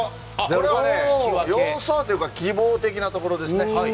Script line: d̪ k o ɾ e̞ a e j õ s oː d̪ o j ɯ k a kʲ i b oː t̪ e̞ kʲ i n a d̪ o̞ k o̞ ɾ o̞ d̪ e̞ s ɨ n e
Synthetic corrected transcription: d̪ k o ɾ e̞ a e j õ s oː t̪ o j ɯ k a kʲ i b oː t̪ e̞ kʲ i n a t̪ o̞ k o̞ ɾ o̞ d̪ e̞ s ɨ n e